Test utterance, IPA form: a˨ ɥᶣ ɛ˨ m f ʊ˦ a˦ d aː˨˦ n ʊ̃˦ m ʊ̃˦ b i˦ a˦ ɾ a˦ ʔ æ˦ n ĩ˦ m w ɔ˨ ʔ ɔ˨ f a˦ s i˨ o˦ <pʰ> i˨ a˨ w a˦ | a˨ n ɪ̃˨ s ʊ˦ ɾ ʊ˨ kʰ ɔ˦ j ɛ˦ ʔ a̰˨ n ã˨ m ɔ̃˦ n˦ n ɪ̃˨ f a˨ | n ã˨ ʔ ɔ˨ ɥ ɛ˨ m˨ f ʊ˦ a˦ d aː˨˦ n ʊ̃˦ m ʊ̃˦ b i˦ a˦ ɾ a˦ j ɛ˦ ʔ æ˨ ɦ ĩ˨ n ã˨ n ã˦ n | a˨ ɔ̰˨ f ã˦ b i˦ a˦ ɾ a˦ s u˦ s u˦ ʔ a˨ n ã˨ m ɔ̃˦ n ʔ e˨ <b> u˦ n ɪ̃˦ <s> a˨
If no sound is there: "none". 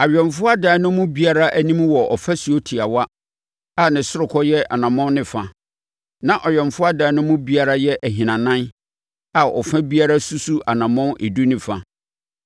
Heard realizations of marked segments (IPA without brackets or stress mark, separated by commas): tʰ, d, f